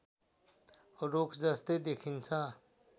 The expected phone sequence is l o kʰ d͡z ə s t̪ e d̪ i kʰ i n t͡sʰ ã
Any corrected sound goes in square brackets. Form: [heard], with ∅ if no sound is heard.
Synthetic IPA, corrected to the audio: [ɾ] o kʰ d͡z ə s t̪ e d̪ [e] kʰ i n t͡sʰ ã